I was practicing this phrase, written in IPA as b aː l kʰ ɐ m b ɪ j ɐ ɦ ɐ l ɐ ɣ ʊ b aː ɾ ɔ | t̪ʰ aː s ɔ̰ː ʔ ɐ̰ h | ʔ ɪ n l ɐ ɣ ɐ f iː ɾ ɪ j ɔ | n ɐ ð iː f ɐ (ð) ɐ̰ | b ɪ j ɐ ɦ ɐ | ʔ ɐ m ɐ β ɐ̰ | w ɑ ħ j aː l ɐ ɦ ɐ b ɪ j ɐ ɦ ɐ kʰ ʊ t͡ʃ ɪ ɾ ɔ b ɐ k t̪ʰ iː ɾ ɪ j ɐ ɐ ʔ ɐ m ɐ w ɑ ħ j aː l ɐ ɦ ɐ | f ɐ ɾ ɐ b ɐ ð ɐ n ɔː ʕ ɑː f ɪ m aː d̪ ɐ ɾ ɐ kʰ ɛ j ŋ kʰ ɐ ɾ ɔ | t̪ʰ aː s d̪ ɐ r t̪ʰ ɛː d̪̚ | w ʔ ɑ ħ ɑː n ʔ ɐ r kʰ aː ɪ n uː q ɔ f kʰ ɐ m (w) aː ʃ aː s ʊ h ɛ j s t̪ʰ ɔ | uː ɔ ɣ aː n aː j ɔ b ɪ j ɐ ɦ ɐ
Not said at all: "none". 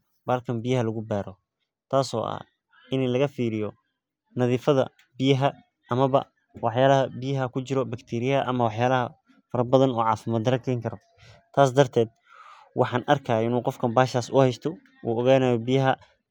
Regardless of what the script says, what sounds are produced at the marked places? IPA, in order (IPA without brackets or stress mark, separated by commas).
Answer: ð, b